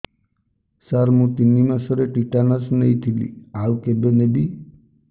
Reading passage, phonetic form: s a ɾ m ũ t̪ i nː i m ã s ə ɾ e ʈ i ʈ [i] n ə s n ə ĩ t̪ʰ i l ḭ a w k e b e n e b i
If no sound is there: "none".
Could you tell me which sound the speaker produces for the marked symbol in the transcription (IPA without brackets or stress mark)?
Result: a